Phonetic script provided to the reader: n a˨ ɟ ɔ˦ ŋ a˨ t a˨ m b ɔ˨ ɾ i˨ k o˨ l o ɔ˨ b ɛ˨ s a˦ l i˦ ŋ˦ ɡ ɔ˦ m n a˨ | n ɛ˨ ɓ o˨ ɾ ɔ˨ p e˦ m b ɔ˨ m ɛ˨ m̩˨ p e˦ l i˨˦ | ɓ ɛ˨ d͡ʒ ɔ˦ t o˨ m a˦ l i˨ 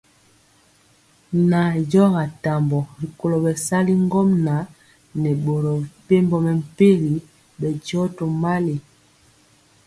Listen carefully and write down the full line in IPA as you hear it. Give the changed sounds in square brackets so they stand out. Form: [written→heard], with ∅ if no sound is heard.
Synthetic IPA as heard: n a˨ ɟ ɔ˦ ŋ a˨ t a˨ m b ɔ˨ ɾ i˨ k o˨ l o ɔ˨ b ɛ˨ s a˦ l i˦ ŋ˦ ɡ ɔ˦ m n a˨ | n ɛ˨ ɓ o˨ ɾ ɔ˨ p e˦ m b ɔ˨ m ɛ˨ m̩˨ p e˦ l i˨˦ | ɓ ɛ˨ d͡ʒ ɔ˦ t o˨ m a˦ l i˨

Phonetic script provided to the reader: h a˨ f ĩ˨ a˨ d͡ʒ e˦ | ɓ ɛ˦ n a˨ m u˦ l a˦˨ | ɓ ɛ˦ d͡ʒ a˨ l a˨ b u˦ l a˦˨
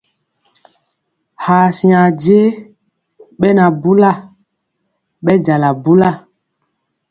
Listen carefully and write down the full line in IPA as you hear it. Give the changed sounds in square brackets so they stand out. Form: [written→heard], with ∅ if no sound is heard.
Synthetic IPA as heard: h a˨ [f→s] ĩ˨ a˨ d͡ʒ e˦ | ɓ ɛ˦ n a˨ [m→b] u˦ l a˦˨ | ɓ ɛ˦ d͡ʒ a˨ l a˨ b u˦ l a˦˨

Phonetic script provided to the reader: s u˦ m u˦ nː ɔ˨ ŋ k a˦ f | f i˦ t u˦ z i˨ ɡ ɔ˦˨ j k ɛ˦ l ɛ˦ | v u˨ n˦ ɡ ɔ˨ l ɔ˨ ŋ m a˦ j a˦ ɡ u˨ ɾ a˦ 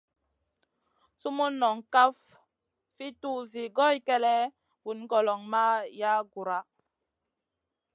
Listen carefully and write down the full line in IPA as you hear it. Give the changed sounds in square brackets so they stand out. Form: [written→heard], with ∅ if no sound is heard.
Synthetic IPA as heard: s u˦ m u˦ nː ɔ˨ ŋ k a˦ f | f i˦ t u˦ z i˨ ɡ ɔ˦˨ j k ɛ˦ l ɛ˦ | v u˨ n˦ ɡ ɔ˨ l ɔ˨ ŋ m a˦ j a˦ ɡ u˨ ɾ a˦

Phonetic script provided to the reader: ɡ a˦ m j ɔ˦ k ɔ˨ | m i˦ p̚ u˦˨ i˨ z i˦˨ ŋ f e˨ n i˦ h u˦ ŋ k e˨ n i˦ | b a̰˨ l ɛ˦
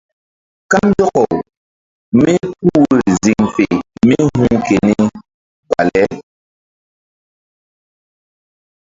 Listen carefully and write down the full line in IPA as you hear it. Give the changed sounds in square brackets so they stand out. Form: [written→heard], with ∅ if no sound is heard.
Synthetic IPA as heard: [ɡ→k] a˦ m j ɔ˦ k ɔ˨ | m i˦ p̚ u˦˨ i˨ z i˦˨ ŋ f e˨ [n→m] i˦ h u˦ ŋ k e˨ n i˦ | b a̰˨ l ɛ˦

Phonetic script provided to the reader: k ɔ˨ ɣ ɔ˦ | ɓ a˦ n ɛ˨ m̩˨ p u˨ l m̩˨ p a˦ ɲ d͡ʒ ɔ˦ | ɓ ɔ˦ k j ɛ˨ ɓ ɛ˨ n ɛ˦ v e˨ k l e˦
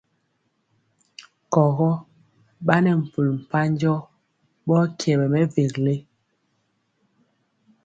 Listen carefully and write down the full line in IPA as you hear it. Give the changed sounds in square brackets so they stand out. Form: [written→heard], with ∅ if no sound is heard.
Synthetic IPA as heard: k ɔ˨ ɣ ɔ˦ | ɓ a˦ n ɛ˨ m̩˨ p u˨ l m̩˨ p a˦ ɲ d͡ʒ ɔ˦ | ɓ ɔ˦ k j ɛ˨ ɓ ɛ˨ [n→m] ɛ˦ v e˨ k l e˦

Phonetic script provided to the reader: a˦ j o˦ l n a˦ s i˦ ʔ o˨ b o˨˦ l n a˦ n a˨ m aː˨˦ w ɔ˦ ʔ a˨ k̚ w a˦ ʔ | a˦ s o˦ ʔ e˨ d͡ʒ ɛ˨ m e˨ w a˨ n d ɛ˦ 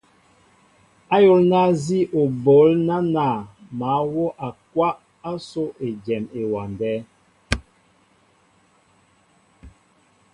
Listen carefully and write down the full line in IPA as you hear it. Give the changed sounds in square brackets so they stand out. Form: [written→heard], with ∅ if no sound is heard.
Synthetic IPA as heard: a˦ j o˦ l n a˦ [s→z] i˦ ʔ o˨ b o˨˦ l n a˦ n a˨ m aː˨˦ w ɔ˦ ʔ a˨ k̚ w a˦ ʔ | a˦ s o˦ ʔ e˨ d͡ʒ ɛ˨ m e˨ w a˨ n d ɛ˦

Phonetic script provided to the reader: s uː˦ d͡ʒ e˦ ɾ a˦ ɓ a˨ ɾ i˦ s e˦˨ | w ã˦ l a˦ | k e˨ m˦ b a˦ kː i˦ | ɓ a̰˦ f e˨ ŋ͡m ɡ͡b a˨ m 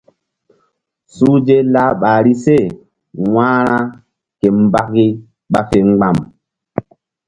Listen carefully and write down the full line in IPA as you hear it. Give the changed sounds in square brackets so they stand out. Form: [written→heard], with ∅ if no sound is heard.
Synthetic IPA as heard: s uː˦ d͡ʒ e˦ [ɾ→l] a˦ ɓ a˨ ɾ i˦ s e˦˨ | w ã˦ [l→ɾ] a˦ | k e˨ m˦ b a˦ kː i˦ | ɓ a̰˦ f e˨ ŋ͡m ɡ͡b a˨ m

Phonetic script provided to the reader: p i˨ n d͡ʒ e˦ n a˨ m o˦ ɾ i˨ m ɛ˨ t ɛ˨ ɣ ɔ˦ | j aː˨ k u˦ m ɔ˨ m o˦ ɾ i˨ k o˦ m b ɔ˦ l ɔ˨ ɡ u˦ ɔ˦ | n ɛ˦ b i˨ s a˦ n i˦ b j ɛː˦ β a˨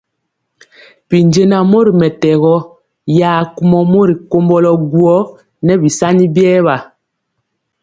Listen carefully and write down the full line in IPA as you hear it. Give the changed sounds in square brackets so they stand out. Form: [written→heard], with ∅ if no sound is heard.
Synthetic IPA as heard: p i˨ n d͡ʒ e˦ n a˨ m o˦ ɾ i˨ m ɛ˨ t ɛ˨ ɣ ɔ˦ | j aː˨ k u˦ m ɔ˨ m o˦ ɾ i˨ k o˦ m b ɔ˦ l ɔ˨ ɡ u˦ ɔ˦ | n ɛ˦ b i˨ s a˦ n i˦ b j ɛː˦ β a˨

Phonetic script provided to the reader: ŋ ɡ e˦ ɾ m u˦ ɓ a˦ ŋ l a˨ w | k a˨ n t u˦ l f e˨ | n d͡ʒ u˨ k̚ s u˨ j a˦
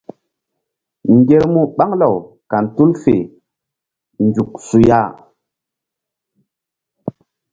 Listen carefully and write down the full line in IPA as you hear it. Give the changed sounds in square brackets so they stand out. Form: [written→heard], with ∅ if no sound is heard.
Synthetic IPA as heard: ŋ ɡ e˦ ɾ m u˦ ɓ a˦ ŋ l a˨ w | k a˨ n t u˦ l f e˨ | n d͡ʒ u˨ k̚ s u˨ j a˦

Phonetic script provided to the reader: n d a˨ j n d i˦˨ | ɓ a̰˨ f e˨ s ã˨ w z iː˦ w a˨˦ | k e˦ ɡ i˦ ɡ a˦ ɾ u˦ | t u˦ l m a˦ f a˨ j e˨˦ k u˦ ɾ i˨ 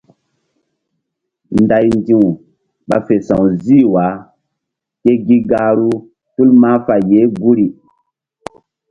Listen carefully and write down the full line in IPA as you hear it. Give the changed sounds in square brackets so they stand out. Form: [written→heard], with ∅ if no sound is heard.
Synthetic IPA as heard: n d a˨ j n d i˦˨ | ɓ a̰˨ f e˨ s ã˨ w z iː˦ w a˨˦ | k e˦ ɡ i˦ ɡ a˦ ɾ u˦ | t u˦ l m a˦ f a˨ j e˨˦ [k→ɡ] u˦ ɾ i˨

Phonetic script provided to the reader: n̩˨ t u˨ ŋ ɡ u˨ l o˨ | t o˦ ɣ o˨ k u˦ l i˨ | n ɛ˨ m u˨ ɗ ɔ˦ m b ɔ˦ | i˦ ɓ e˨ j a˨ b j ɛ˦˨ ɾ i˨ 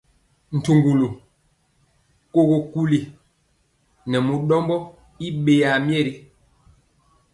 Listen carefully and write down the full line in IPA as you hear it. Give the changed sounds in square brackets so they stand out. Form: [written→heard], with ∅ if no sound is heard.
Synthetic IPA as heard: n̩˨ t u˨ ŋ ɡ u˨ l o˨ | [t→k] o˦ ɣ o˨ k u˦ l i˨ | n ɛ˨ m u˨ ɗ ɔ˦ m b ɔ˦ | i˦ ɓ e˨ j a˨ [b→m] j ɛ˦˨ ɾ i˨

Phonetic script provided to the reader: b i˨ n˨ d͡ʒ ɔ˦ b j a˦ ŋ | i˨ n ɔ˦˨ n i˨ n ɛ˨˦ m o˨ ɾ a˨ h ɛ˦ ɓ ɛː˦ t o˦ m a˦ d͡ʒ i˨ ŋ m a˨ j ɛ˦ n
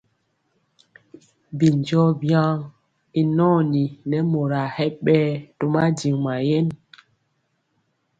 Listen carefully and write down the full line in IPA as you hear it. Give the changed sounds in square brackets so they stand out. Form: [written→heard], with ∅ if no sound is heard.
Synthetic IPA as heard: b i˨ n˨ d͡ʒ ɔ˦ b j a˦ ŋ | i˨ n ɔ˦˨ n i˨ n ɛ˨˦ m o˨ ɾ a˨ h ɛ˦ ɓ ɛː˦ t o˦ m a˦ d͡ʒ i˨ ŋ m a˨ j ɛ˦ n

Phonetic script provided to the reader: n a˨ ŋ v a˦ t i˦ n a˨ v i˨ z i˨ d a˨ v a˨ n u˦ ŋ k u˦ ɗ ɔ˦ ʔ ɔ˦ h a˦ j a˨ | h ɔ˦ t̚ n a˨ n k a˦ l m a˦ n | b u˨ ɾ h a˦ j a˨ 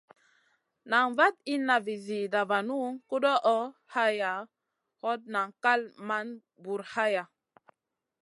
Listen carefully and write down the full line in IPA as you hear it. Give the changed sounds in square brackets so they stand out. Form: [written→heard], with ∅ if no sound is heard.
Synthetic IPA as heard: n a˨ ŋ v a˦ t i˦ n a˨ v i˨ z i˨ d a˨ v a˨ n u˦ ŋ k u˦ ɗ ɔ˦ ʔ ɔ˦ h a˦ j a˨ | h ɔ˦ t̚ n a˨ [n→ŋ] k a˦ l m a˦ n | b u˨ ɾ h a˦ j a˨

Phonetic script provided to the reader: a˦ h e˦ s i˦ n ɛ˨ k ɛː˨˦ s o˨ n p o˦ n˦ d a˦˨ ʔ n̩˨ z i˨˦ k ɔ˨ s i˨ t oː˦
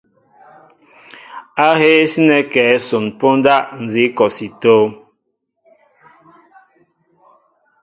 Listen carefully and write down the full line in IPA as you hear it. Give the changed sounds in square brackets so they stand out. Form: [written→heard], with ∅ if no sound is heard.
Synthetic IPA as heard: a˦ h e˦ s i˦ n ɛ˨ k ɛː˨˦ s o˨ n p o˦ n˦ d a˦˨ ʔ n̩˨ z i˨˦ k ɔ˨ s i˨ t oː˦

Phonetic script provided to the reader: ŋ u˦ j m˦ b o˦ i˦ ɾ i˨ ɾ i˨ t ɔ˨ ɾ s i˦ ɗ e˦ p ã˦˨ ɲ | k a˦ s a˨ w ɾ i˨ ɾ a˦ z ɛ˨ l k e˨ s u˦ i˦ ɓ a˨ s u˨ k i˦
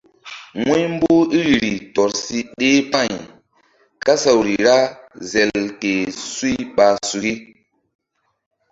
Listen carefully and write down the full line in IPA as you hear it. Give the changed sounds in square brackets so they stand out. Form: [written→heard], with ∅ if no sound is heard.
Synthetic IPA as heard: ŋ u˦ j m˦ b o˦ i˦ ɾ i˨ ɾ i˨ t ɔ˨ ɾ s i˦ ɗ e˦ p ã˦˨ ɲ | k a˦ s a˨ w ɾ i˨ ɾ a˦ z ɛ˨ l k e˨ s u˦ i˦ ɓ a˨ s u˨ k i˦

